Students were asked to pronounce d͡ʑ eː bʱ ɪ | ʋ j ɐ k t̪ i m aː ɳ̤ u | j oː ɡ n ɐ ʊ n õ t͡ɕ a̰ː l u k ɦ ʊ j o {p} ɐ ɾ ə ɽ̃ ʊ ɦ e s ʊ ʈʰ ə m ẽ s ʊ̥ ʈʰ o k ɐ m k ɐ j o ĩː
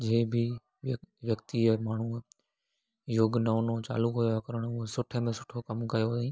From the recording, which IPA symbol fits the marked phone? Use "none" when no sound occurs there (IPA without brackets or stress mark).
k